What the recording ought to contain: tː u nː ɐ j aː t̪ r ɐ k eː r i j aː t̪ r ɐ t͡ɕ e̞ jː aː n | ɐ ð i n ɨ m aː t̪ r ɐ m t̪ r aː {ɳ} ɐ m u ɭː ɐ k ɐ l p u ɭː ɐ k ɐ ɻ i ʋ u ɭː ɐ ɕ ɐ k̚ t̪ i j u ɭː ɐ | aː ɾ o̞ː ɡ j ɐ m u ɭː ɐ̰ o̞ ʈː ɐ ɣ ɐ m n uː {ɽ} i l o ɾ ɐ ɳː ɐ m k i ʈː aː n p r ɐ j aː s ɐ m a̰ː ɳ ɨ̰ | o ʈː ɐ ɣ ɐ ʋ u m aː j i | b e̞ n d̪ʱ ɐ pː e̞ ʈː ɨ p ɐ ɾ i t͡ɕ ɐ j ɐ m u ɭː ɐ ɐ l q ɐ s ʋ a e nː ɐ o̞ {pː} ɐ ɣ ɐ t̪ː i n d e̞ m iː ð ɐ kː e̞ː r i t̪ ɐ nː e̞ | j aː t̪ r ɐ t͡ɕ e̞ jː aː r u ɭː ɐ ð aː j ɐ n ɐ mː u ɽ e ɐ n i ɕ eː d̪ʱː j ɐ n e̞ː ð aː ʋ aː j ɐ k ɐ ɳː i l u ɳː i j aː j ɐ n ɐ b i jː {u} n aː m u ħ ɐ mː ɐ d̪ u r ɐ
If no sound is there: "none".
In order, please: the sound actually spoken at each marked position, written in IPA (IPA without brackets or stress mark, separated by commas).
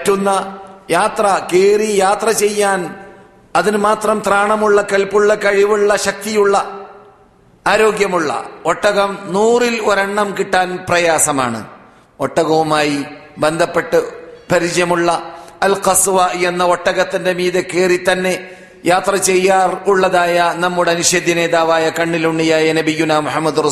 ɳ, r, ʈː, u